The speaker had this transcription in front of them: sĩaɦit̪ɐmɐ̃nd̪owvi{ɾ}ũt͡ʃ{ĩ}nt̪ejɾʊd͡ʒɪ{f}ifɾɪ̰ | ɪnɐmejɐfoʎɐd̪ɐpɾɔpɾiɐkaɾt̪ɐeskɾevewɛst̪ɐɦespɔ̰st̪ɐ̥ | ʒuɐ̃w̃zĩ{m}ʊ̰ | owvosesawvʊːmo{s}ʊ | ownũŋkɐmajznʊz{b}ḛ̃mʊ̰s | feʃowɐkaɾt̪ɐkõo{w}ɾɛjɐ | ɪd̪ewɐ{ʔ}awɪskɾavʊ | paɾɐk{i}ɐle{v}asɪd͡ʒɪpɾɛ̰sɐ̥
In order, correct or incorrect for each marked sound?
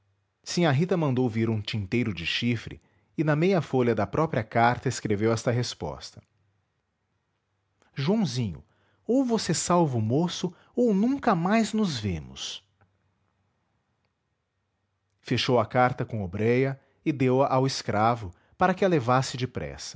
correct, correct, incorrect: ʃ, incorrect: ɲ, correct, incorrect: v, incorrect: b, correct, incorrect: ɪ, correct

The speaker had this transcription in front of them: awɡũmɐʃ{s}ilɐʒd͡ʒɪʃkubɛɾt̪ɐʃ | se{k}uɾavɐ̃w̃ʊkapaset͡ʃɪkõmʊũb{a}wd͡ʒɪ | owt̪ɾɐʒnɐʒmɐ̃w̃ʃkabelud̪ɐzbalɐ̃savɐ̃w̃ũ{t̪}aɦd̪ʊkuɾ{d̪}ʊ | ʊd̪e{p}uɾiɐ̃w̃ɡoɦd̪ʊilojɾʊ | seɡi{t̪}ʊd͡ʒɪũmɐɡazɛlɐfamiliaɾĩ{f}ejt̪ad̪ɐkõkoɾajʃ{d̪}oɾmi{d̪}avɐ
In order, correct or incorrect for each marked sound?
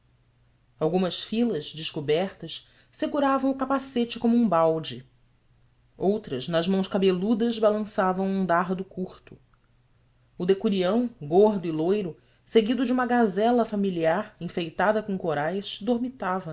incorrect: f, incorrect: ɡ, correct, incorrect: d̪, incorrect: t̪, incorrect: k, incorrect: d̪, correct, correct, incorrect: t̪

